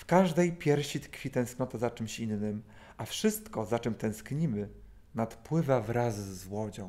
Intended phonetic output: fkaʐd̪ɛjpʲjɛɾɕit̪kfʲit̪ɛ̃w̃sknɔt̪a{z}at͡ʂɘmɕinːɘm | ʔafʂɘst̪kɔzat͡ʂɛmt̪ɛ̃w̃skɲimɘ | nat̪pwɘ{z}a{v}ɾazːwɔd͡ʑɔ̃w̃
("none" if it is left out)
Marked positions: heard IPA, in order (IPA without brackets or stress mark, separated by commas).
z, v, v